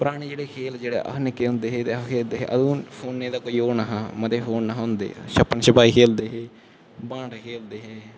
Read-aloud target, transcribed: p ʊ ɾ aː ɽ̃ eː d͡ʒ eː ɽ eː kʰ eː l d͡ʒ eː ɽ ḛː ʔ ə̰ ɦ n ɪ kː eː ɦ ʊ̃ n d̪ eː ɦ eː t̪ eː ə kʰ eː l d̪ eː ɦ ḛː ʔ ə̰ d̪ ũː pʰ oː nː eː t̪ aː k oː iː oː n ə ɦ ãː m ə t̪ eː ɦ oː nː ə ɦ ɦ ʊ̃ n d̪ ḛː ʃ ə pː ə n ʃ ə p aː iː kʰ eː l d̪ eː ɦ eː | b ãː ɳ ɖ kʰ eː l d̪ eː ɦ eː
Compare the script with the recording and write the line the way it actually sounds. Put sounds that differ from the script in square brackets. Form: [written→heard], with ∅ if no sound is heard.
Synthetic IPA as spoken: p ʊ ɾ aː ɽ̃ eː d͡ʒ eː ɽ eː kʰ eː l d͡ʒ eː ɽ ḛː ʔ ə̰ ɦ n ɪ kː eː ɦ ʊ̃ n d̪ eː ɦ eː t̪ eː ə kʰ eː l d̪ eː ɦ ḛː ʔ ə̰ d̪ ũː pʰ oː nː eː [t̪→d̪] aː k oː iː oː n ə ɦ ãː m ə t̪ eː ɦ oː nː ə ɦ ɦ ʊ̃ n d̪ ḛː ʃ ə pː ə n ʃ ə p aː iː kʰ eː l d̪ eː ɦ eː | b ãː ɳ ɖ kʰ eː l d̪ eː ɦ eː